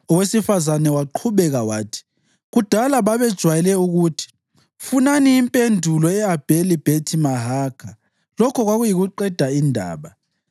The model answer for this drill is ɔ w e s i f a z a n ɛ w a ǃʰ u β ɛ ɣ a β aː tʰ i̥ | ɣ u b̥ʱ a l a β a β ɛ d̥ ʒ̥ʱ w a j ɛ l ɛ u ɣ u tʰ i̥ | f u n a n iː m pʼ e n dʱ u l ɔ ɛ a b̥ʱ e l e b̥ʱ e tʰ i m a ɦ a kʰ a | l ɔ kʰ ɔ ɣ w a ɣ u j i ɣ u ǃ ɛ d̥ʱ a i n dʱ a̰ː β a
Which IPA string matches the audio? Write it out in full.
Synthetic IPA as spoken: ɔ w e s i f a z a n ɛ w a ǃʰ u β ɛ ɣ a w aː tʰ i̥ | ɣ u d̥ʱ a l a β a β ɛ d̥ ʒ̥ʱ w a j ɛ l ɛ u ɣ u tʰ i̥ | f u n a n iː m pʼ e n dʱ u l ɔ ɛ a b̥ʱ e l i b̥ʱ e tʰ i m a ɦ a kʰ a | l ɔ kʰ ɔ ɣ w a ɣ u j i ɣ u ǃ ɛ d̥ʱ a i n dʱ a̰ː β a